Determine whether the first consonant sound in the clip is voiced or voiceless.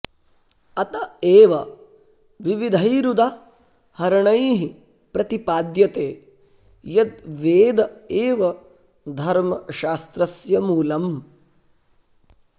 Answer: voiceless